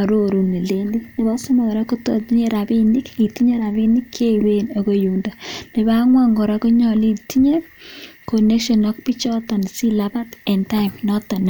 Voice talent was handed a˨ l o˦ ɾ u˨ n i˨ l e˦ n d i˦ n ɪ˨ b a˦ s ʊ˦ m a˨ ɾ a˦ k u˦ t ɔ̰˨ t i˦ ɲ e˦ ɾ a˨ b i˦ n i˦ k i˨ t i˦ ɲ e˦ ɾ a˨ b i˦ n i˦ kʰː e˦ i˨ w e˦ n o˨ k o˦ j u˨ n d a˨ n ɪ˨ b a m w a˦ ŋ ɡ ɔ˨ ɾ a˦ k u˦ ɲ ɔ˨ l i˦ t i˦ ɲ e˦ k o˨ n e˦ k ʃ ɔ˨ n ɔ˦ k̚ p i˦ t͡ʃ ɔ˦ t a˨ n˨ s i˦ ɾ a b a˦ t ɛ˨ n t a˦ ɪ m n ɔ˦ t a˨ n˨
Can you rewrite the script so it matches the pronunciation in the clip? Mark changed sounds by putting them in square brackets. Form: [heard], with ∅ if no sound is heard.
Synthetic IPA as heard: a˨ [ɾ] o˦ ɾ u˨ n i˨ l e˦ n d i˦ n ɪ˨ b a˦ s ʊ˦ m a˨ ɾ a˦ k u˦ t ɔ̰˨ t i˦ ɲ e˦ ɾ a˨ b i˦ n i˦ k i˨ t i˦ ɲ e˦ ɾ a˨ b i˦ n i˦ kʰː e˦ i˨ w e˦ n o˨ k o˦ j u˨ n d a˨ n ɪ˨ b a [ŋ] w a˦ ŋ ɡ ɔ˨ ɾ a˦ k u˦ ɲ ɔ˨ l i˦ t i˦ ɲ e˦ k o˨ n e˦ k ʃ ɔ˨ n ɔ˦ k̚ p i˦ t͡ʃ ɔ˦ t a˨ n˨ s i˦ [l] a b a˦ t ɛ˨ n t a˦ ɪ m n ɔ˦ t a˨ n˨